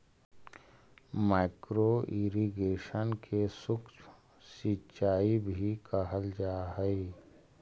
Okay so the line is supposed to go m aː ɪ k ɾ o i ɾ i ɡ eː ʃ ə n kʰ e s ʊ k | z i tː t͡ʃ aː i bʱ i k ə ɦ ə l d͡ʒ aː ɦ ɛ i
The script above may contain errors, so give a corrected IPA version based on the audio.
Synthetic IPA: m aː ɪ k ɾ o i ɾ i ɡ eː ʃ ə n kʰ e s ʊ k | s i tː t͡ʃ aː i bʱ i k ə ɦ ə l d͡ʒ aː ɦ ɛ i